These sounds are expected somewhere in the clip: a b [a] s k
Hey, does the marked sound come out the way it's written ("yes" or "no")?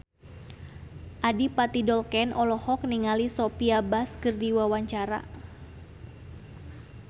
yes